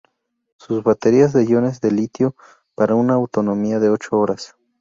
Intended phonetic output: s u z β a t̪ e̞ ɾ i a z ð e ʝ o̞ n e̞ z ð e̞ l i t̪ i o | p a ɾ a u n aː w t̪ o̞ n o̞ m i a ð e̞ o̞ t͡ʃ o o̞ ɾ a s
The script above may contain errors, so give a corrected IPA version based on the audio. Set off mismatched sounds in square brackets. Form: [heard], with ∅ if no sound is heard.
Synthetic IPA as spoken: s u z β a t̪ e̞ ɾ i a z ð e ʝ o̞ n e̞ z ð e̞ l i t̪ [j] o | p a ɾ a u n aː w t̪ o̞ n o̞ m i a ð e̞ o̞ t͡ʃ o o̞ ɾ a s